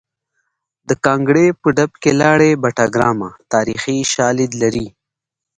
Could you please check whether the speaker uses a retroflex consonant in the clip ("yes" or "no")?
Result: yes